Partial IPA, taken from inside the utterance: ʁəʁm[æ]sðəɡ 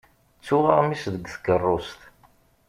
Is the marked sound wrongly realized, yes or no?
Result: yes